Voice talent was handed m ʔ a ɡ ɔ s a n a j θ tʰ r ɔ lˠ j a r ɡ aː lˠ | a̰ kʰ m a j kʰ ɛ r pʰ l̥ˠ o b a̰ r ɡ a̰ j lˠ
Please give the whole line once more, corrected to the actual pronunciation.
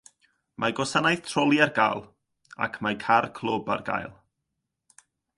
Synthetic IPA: m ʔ a ɡ ɔ s a n a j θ tʰ r ɔ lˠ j a r ɡ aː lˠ | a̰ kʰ m a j kʰ a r kʰ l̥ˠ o b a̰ r ɡ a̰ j lˠ